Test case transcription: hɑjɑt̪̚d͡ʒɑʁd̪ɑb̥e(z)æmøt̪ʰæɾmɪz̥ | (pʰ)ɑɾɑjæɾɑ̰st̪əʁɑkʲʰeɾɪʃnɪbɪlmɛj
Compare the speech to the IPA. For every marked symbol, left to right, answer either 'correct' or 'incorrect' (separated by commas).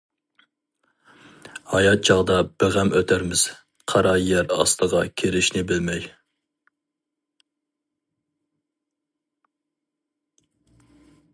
incorrect, incorrect